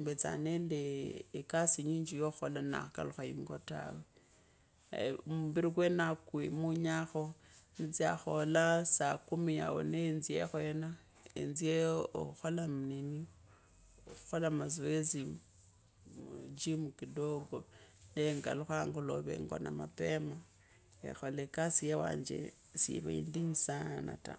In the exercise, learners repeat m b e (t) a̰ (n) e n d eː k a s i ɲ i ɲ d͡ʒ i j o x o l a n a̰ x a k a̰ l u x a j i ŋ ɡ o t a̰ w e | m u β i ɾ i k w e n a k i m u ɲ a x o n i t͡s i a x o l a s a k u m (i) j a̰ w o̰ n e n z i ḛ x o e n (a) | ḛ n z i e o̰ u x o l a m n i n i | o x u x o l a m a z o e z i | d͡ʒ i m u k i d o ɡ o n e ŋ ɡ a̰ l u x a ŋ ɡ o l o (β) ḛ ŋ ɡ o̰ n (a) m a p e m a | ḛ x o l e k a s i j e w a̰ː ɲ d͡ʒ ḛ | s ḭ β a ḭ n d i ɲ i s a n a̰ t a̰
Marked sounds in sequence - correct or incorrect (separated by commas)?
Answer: incorrect, correct, correct, correct, correct, correct